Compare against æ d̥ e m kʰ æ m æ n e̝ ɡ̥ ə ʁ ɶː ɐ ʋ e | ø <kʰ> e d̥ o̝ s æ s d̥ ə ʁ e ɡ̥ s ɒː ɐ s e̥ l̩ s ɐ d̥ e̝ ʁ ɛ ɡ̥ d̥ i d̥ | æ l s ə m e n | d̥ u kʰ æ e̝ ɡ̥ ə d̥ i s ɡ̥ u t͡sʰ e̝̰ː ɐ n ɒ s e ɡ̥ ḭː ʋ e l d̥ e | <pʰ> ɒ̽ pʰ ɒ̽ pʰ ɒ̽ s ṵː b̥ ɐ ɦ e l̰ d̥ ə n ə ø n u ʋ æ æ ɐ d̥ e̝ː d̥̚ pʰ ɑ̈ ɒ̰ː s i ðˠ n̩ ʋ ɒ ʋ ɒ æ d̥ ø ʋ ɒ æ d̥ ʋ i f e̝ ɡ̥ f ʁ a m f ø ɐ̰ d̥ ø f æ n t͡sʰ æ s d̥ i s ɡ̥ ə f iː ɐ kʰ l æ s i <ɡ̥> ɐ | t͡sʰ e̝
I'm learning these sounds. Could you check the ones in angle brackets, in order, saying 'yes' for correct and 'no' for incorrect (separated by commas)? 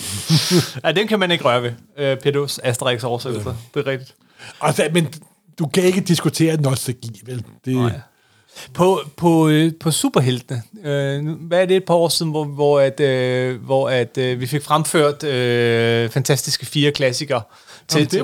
no, yes, yes